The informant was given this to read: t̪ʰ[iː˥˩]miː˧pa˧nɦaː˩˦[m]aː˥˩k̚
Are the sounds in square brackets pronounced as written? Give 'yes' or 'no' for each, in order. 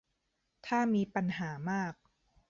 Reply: no, yes

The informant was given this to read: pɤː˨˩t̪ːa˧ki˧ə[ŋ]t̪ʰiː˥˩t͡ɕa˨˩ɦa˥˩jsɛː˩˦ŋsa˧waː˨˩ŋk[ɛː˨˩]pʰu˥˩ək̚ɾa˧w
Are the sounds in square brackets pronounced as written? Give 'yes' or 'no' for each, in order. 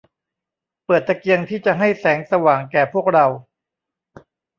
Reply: yes, yes

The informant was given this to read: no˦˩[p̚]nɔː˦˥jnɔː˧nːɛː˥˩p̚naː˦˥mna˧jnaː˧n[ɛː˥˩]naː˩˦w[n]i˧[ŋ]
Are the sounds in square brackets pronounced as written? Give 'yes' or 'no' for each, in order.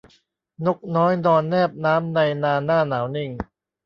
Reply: no, no, yes, yes

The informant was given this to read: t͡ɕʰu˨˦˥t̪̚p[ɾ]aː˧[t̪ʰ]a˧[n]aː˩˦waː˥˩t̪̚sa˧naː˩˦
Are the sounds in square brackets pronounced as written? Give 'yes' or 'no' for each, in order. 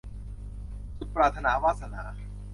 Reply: yes, yes, yes

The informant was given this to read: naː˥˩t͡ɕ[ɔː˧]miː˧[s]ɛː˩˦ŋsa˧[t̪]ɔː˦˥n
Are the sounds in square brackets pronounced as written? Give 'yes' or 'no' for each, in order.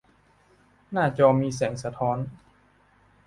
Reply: yes, yes, no

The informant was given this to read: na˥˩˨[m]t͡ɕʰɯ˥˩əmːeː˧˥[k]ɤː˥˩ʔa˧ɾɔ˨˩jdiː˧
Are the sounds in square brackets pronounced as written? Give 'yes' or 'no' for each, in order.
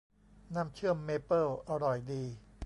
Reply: yes, no

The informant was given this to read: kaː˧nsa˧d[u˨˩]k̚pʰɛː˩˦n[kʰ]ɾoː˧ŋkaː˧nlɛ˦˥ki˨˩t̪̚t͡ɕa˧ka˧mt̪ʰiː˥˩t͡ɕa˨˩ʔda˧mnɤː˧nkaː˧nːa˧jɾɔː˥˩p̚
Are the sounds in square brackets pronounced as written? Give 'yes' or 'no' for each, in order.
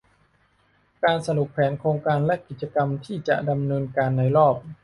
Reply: yes, yes

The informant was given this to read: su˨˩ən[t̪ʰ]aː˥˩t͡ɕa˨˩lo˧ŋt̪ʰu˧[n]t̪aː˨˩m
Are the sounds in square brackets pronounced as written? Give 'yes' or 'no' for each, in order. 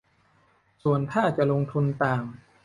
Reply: yes, yes

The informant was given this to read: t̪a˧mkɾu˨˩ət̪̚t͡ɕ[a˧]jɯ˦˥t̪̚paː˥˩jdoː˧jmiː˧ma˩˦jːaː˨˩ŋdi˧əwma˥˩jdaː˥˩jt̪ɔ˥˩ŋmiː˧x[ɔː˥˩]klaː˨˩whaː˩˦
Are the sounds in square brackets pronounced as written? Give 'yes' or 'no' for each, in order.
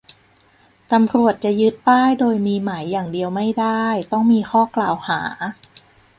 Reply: no, yes

